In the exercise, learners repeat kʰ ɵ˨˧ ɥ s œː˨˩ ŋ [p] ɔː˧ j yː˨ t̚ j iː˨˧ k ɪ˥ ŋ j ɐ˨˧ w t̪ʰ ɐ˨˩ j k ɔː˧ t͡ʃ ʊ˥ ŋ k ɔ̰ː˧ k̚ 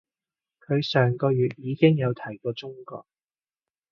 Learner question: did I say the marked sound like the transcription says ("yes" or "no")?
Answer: no